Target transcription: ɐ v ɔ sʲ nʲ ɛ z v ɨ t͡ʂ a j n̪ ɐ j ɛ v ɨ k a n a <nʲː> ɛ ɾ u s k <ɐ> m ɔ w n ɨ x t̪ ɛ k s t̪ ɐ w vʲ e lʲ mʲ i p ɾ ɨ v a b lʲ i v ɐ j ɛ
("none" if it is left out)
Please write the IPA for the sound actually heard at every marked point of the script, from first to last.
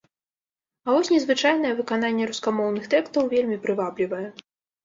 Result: nʲː, a

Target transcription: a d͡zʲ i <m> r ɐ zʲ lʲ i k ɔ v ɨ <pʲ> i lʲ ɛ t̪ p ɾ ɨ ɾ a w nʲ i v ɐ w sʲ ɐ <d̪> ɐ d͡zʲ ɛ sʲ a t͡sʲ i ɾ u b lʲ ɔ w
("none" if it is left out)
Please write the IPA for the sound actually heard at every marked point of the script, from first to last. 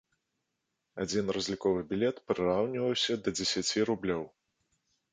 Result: n, bʲ, d̪

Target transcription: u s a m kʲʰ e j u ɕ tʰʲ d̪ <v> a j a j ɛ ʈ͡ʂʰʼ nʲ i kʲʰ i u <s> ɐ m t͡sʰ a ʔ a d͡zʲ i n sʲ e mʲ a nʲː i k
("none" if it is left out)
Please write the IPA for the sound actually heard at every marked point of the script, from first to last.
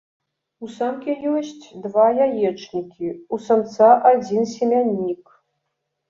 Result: v, s

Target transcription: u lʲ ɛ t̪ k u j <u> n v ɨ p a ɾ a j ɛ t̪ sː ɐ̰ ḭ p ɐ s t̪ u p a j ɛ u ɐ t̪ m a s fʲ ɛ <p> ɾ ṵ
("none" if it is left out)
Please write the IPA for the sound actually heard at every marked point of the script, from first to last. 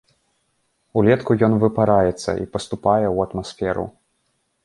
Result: ɔ, none

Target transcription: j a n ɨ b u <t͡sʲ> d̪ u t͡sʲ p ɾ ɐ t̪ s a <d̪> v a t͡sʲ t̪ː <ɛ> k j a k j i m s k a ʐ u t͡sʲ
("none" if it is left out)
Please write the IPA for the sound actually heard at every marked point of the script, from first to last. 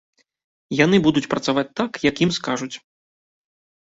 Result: none, none, a

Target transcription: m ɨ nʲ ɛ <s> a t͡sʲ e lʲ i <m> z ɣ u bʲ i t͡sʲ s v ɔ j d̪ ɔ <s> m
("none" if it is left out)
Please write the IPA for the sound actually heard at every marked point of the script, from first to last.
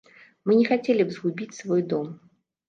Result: x, b, none

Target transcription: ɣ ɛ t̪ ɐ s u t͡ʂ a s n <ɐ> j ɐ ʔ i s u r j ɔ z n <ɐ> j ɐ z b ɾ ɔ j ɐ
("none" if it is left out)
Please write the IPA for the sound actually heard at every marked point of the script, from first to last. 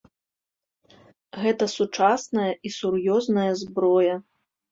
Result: ɐ, ɐ

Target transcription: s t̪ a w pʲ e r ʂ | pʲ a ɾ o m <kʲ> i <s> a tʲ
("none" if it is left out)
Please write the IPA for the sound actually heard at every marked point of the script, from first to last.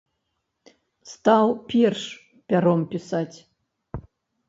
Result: pʲ, s

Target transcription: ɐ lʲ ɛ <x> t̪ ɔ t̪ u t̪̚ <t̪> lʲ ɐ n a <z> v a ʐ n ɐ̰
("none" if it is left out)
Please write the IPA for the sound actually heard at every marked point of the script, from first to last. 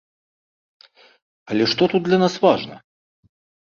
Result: ʂ, d̪, s

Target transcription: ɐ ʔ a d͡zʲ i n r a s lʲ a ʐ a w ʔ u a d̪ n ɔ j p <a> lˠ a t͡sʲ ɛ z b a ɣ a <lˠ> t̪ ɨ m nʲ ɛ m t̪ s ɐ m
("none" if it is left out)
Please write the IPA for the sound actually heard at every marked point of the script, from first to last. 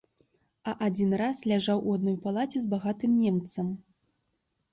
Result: a, none

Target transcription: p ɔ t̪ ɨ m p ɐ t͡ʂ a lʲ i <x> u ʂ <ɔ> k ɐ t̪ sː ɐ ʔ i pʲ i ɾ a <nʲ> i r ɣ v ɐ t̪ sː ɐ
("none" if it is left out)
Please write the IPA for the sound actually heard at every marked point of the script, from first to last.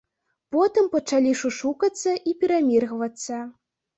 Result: ʂ, u, mʲ

